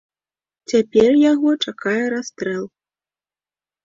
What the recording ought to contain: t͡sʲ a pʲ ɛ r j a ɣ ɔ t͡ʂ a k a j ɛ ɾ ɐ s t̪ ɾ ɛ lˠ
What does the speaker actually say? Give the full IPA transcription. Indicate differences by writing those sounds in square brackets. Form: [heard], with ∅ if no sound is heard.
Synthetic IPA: t͡sʲ a pʲ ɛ r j a ɣ ɔ t͡ʂ a k a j ɛ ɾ [a] s t̪ ɾ ɛ lˠ